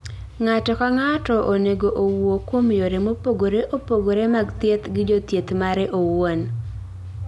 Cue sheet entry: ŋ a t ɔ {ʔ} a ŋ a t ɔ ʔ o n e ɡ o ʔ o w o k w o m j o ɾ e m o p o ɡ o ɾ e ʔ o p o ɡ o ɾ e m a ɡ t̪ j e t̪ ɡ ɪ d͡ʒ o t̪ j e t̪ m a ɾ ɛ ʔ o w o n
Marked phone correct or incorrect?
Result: incorrect: k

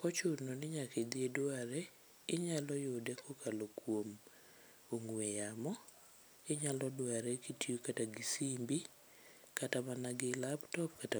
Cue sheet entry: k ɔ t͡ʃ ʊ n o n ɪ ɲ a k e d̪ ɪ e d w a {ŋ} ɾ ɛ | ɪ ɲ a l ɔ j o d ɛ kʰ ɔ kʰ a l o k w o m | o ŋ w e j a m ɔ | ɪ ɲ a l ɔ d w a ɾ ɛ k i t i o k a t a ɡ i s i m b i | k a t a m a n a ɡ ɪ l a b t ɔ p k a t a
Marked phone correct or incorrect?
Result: incorrect: none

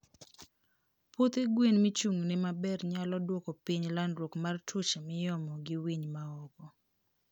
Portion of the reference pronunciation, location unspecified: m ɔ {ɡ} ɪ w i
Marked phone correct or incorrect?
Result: correct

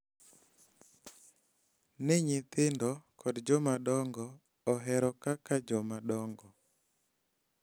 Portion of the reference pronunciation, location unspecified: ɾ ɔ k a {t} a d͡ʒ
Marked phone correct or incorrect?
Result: incorrect: k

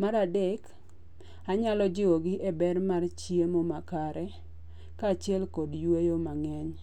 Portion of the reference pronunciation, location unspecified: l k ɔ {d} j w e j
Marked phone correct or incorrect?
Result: correct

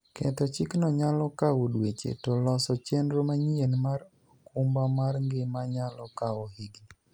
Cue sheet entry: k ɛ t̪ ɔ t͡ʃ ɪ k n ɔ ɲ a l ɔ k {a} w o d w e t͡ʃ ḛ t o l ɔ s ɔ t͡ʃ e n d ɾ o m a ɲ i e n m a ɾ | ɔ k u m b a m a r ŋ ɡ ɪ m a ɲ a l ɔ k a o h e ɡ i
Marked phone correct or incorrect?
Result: correct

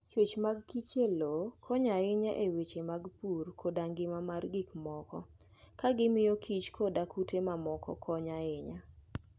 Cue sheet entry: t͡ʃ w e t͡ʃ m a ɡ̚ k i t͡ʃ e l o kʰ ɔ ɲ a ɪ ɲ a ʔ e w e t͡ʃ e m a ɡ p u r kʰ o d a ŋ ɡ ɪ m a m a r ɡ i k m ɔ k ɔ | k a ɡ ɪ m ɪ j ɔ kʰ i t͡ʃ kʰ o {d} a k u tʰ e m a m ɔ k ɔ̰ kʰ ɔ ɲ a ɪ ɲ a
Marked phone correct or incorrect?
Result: correct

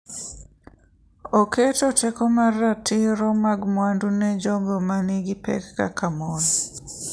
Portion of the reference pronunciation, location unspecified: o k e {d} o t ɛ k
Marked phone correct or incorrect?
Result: incorrect: t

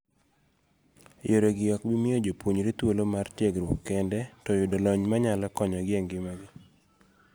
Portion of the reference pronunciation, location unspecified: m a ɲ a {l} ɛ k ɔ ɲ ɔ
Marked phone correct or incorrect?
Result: correct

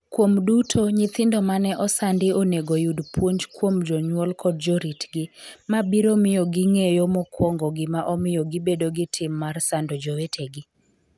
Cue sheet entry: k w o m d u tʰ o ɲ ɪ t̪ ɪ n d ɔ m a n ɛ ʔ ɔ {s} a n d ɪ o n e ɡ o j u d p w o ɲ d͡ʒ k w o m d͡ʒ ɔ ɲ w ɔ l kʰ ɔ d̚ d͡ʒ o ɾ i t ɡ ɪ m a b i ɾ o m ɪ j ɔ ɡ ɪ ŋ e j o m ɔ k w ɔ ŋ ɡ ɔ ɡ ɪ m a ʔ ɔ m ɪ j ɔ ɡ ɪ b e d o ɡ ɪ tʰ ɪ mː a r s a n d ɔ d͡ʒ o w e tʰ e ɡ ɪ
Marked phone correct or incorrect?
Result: correct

